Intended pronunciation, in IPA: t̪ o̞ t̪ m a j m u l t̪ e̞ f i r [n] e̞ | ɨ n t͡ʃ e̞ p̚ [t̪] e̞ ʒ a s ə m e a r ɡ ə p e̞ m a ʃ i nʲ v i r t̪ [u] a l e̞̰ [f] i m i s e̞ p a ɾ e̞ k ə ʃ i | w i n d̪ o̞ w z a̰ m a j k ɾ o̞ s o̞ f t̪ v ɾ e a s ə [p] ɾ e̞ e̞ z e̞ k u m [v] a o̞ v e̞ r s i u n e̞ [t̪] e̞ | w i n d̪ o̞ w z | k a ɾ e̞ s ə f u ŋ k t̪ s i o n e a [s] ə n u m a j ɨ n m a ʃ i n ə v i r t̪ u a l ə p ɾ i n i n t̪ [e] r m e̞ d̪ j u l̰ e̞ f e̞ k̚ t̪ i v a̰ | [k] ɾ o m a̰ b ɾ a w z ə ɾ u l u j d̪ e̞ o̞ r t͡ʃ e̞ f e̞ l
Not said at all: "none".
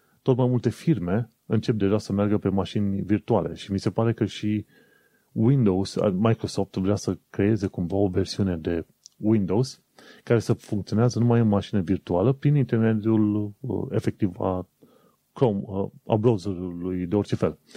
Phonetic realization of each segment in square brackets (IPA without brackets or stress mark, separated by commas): m, d̪, u, ʃ, k, v, d̪, z, e, k